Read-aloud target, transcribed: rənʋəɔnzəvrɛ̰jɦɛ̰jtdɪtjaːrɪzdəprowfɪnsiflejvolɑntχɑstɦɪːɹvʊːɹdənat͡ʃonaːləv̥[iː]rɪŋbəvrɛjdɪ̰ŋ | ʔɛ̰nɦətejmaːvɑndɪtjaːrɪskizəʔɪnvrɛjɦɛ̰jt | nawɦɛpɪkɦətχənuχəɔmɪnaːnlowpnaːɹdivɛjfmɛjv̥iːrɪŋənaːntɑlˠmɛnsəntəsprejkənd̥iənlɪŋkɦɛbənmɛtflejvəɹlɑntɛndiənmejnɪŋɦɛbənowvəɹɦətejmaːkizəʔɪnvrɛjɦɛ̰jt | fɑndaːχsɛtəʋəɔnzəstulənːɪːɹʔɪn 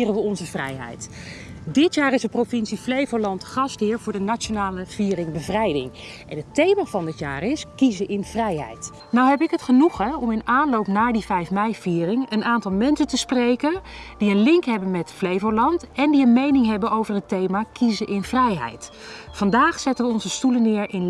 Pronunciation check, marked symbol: correct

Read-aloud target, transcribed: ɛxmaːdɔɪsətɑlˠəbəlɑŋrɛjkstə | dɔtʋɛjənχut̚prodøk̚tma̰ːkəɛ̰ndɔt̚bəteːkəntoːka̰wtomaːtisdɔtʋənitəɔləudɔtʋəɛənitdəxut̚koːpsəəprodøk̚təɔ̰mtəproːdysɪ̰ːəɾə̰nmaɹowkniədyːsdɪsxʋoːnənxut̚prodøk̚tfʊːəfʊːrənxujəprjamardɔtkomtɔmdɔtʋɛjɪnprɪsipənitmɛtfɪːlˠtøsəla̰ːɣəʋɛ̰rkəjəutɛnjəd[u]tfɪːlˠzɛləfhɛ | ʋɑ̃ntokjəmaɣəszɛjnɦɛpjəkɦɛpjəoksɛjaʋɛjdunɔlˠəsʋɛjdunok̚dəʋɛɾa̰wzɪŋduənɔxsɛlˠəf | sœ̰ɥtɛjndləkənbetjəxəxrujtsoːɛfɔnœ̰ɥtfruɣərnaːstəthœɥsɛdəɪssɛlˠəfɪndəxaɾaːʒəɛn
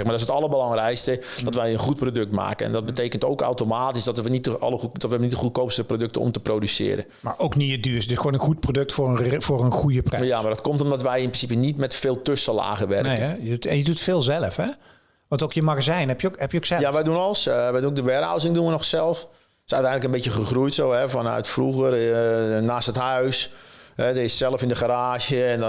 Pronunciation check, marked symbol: correct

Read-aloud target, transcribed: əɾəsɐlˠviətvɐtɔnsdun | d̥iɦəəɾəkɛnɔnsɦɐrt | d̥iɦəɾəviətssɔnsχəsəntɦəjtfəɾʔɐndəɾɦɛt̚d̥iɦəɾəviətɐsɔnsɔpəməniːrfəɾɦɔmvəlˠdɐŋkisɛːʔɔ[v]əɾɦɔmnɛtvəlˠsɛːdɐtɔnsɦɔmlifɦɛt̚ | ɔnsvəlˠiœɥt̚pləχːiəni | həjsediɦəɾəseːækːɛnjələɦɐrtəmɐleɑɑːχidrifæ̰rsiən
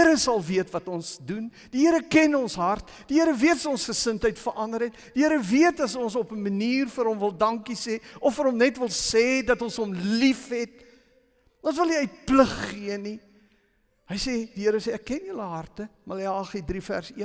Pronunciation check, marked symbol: incorrect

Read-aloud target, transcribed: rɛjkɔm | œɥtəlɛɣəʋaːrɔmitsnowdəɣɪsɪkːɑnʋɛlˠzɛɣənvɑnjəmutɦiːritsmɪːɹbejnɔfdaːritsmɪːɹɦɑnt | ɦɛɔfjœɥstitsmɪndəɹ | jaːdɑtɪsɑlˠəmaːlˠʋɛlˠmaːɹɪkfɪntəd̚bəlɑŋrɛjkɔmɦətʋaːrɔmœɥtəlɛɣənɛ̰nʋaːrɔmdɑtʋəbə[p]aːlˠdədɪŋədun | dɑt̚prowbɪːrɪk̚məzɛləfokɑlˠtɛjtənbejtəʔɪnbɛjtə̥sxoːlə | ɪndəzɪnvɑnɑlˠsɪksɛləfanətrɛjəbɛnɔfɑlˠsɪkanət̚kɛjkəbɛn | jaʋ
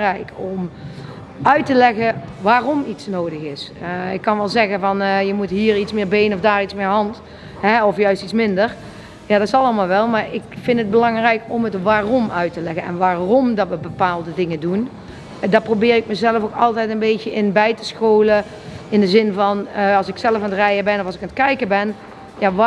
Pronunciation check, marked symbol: correct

